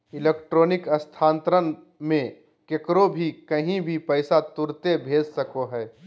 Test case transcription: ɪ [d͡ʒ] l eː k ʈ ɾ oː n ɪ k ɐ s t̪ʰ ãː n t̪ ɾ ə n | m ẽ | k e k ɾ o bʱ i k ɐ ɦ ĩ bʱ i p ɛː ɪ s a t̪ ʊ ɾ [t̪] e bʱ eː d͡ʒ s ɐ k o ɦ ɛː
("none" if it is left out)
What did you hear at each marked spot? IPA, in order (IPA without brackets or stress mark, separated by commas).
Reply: none, t̪